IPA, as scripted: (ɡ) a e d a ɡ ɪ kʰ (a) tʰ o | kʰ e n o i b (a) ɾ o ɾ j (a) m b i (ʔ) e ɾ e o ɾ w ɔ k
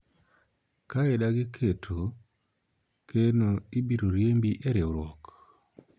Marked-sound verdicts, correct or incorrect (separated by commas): incorrect, incorrect, incorrect, incorrect, correct